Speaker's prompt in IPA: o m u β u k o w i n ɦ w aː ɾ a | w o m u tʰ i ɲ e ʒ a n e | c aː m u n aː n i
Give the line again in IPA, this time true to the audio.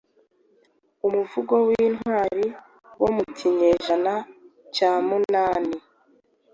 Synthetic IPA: u m u v u ɡ o w i n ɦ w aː ɾ i | w o m u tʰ i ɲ e ʒ a n a | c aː m u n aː n i

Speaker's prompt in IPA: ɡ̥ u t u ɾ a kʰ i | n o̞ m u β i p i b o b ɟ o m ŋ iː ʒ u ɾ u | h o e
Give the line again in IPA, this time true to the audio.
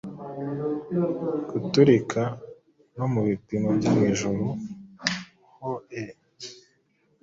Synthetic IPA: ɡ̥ u t u ɾ i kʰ a | n o̞ m u β i p i m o b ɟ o m ŋ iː ʒ u ɾ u | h o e

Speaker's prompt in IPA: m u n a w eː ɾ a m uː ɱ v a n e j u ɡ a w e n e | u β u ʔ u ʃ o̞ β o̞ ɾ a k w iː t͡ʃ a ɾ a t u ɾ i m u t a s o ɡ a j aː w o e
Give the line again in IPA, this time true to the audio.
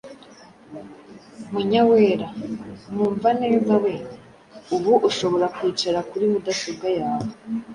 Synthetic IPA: m u ɲ a w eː ɾ a m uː ɱ v a n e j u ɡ a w e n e | u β u ʔ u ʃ o̞ β o̞ ɾ a k w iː t͡ʃ a ɾ a k u ɾ i m u d a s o ɡ a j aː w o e

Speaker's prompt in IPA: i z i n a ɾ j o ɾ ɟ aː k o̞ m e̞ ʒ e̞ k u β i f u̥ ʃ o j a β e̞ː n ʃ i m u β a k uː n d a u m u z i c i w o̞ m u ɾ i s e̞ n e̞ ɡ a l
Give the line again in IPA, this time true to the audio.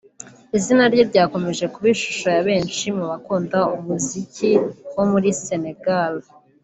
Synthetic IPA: i z i n a ɾ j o ɾ ɟ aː k o̞ m e̞ ʒ e̞ k u β i ʃ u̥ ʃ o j a β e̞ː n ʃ i m u β a k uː n d a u m u z i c i w o̞ m u ɾ i s e̞ n e̞ ɡ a l

